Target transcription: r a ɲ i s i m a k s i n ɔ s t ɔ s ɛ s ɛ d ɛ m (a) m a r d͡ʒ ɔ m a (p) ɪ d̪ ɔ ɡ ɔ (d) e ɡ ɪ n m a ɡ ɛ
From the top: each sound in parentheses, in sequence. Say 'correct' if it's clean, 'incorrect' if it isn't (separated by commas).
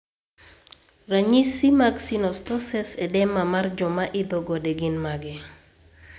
correct, incorrect, correct